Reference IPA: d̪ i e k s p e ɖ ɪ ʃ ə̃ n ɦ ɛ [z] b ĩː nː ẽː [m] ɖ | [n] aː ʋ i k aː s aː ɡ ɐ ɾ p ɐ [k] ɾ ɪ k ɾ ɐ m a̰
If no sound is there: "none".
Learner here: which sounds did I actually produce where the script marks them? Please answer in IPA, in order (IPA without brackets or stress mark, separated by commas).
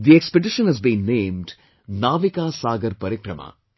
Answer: z, m, n, none